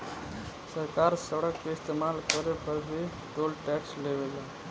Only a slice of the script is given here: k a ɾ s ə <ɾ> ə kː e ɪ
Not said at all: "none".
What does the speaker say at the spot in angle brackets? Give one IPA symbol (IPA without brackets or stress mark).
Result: ɽ